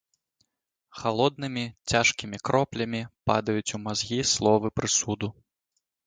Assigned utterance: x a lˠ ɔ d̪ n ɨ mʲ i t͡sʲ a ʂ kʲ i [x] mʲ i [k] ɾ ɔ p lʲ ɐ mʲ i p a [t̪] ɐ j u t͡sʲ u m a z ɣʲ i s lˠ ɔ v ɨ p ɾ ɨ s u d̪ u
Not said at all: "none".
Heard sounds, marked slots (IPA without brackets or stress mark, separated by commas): none, k, d̪